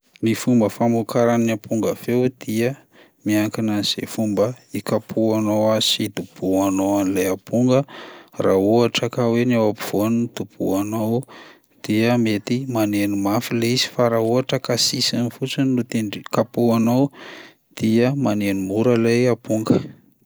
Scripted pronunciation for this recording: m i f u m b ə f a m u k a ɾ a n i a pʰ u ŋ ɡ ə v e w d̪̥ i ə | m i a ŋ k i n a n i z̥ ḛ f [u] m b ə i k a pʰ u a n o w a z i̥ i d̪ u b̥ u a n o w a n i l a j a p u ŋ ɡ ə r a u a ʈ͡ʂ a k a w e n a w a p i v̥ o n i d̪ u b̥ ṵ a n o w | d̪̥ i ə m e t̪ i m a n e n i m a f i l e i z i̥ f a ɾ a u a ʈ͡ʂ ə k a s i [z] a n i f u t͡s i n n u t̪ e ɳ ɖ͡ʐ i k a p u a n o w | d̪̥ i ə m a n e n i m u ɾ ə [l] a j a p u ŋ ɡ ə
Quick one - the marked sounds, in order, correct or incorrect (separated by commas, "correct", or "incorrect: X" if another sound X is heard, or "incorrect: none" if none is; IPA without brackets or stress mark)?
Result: correct, incorrect: s, correct